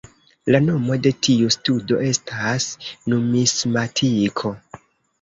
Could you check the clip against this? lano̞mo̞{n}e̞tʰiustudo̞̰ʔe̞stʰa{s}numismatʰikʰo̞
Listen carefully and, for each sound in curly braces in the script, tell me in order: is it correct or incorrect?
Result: incorrect: d, correct

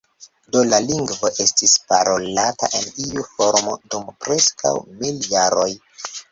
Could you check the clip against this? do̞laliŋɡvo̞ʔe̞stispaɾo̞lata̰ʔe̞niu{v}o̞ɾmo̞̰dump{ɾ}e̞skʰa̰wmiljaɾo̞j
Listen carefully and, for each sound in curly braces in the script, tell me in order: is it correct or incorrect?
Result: incorrect: f, correct

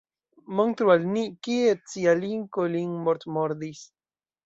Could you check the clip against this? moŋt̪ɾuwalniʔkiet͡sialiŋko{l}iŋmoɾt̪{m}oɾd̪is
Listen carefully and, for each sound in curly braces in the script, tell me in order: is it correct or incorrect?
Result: correct, correct

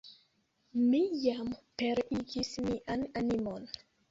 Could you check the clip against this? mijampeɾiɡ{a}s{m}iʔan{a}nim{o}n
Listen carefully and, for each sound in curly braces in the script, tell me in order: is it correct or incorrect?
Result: incorrect: i, correct, correct, correct

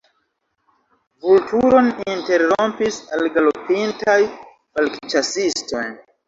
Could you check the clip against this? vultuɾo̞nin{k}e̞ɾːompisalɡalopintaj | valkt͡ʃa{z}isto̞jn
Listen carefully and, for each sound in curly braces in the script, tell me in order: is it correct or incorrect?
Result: incorrect: t, incorrect: s

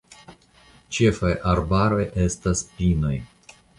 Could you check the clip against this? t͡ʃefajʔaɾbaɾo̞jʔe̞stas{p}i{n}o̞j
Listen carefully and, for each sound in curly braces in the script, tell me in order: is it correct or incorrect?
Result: correct, correct

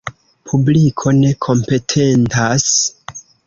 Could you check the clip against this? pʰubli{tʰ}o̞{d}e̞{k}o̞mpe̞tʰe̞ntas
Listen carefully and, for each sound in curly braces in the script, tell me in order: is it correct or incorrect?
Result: incorrect: kʰ, incorrect: n, incorrect: kʰ

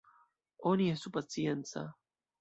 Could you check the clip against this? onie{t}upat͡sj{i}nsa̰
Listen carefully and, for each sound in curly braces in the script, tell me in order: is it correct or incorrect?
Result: incorrect: s, incorrect: e

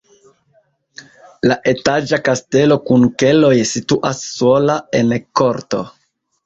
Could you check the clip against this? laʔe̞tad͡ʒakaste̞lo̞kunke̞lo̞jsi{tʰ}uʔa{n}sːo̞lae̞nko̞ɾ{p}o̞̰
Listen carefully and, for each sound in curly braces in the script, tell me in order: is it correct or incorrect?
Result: incorrect: t, incorrect: none, incorrect: t

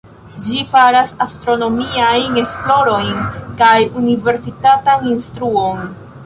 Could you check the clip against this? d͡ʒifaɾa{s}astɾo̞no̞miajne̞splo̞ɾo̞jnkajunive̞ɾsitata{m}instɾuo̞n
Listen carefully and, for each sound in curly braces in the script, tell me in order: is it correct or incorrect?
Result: correct, incorrect: n

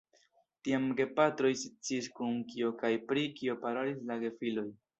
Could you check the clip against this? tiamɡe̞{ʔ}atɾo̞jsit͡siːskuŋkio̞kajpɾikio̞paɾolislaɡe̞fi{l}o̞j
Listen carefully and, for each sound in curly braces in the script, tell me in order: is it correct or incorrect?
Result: incorrect: p, correct

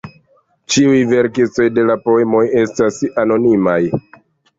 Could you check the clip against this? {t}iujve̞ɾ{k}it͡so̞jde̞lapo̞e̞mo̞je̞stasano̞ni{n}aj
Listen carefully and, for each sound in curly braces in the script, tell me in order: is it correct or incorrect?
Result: incorrect: t͡ʃ, correct, incorrect: m

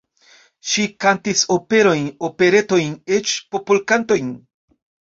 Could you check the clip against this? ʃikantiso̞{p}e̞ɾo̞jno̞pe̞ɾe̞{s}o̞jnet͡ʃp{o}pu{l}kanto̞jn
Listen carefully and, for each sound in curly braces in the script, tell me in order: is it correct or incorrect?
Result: correct, incorrect: t, correct, correct

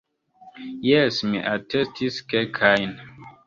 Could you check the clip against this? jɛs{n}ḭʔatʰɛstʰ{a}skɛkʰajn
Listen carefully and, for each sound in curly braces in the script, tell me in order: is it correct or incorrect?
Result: incorrect: m, incorrect: i

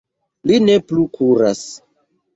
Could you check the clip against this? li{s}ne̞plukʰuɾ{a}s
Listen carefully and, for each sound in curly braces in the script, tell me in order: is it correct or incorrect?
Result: incorrect: none, correct

